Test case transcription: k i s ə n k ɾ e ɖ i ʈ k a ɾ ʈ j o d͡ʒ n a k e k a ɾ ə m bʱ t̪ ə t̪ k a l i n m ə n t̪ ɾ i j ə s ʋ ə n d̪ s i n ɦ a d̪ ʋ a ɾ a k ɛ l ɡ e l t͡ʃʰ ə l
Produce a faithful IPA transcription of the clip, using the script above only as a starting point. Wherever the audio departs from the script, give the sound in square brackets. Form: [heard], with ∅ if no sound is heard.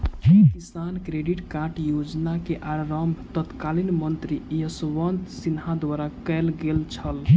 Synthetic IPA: k i s [a] n k ɾ e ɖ i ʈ k a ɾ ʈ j o d͡ʒ n a k e [ʔ] a ɾ ə m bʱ t̪ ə t̪ k a l i n m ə n t̪ ɾ i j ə s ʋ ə n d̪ s i n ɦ a d̪ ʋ a ɾ a k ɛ l ɡ e l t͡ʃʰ ə l